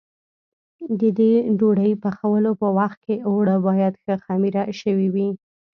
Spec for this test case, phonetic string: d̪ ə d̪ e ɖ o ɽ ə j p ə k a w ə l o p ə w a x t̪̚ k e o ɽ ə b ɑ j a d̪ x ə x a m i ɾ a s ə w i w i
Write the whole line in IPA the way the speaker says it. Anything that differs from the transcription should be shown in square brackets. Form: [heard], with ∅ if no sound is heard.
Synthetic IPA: d̪ ə d̪ e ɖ o ɽ ə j p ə [x] a w ə l o p ə w a x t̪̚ k e o ɽ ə b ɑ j a d̪ x ə x a m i ɾ a [ʃ] ə w i w i